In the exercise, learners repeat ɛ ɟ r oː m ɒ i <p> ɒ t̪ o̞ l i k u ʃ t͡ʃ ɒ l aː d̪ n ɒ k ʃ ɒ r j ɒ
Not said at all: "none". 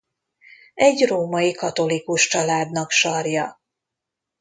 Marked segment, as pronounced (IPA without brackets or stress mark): k